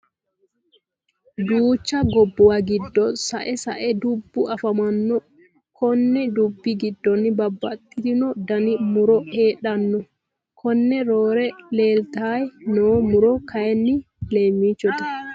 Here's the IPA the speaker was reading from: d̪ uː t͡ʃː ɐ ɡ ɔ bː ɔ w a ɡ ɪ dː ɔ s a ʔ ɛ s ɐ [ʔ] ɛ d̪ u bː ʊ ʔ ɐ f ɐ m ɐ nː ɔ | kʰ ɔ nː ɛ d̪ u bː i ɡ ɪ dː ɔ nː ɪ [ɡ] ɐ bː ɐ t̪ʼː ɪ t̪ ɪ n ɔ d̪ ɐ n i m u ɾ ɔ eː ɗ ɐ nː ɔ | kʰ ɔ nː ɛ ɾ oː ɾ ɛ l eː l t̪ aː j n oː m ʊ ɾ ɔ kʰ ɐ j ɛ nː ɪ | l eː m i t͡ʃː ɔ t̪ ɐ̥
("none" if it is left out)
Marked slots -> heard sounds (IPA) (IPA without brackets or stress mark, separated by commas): ʔ, b